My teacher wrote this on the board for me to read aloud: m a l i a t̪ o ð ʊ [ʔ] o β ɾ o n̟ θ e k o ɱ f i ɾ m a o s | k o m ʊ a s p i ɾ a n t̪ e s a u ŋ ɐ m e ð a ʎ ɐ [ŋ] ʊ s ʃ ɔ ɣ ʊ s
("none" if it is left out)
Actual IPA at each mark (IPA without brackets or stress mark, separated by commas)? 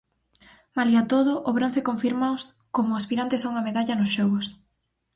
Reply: ʔ, n